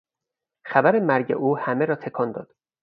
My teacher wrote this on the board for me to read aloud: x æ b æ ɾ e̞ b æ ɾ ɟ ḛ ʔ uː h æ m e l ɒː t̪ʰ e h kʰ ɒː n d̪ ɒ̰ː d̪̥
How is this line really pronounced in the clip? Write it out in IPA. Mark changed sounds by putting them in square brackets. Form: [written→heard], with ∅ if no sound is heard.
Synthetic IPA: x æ b æ ɾ e̞ [b→m] æ ɾ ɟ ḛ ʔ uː h æ m e [l→ɾ] ɒː t̪ʰ e [h→∅] kʰ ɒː n d̪ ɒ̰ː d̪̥